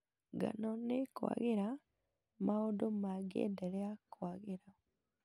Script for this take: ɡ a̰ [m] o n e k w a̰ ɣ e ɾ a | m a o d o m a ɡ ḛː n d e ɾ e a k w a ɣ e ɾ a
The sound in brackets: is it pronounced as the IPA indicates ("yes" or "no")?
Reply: no